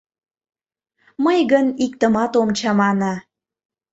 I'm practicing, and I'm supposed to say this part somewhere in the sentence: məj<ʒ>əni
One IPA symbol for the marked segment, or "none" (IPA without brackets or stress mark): ɣ